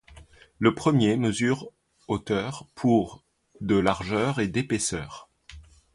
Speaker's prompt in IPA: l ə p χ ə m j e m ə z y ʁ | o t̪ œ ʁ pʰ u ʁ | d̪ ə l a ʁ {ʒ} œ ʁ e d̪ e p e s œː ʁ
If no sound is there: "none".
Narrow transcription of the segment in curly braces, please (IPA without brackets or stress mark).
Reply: ʒ